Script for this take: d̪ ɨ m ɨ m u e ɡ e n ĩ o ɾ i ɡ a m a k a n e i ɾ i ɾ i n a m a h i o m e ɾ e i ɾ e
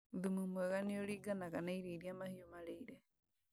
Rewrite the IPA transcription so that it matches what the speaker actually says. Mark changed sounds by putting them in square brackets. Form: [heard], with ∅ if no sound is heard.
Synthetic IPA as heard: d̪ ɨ m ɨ m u [a] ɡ [a] n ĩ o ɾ i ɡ a [n] a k a n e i ɾ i ɾ i [∅] a m a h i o m [a] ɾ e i ɾ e